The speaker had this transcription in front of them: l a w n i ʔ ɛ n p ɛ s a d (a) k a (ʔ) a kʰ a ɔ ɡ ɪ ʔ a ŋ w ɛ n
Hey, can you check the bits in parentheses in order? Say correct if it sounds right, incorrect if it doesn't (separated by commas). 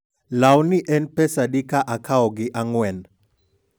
incorrect, correct